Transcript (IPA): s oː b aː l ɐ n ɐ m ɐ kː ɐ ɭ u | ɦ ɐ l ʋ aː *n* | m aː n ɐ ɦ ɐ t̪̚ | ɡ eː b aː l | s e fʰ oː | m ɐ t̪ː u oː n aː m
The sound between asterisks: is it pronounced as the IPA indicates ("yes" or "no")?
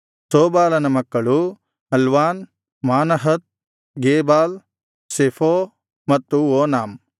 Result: yes